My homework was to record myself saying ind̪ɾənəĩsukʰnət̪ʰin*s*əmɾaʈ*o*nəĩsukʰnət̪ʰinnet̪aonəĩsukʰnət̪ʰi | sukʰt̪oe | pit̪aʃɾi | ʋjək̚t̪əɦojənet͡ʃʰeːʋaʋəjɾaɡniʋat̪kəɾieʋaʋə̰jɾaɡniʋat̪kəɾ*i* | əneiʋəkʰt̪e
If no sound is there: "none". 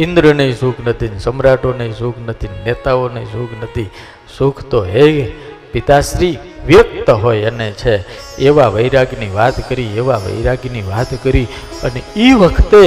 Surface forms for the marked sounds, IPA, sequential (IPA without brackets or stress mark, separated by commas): s, o, i